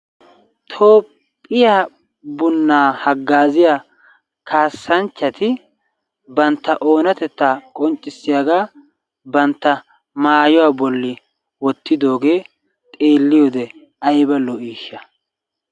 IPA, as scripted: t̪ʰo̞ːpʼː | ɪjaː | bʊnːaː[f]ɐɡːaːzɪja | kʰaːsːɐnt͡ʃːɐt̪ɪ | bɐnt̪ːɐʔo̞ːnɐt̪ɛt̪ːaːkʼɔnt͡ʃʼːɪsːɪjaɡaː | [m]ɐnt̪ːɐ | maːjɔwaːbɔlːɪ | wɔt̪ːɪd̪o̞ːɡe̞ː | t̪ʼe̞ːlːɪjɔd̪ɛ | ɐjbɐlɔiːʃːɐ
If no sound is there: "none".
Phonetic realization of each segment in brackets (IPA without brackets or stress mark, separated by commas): h, b